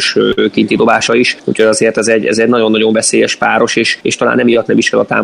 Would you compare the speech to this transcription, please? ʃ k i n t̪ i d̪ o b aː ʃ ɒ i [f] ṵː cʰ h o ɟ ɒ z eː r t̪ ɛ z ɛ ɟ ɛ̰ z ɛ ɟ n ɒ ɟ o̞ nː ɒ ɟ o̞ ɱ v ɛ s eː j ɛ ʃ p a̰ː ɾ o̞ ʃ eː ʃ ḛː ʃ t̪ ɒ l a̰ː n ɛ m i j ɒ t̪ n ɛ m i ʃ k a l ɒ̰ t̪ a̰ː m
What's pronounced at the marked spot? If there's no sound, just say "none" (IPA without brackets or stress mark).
ʃ